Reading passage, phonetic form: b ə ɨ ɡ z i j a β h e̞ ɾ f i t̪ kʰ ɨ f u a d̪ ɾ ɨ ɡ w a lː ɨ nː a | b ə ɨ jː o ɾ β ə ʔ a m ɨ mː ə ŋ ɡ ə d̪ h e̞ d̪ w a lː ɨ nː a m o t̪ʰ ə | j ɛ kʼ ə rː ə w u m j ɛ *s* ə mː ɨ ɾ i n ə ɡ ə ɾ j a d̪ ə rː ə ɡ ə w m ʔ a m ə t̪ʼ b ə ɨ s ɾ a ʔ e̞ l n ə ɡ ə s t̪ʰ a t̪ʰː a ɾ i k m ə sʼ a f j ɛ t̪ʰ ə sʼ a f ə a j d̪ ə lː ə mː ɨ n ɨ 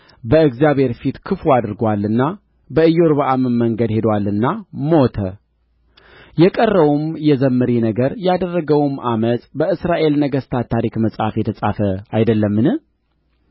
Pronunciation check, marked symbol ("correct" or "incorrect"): incorrect